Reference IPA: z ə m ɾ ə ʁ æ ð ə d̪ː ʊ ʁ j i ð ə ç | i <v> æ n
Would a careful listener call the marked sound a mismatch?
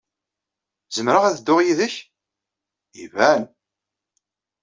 no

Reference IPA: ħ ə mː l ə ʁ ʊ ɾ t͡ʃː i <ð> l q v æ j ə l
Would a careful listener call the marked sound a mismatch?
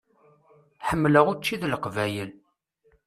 no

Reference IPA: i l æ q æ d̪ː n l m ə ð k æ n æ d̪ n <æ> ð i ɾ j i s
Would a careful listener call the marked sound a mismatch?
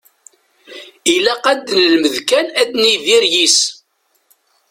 yes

